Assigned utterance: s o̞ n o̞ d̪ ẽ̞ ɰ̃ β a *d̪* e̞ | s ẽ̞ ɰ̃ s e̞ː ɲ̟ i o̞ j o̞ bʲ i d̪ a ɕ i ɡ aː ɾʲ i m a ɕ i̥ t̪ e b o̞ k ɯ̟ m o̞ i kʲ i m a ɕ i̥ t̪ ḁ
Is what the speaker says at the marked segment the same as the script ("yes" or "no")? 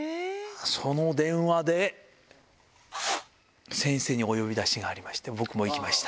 yes